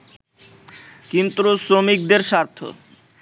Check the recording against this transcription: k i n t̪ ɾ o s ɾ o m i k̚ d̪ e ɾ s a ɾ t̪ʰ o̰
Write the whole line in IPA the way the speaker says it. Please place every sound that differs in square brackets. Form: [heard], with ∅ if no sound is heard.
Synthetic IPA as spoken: k i n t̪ ɾ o s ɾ o m i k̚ d̪ e ɾ [ʃ] a ɾ t̪ʰ o̰